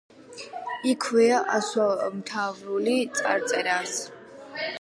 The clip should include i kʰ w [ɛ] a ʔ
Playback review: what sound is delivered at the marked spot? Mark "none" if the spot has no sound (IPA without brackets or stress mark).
ɛ